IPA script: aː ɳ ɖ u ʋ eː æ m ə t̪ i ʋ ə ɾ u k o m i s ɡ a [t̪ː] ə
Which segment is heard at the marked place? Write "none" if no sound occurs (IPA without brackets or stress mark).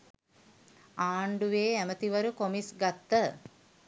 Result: t̪ː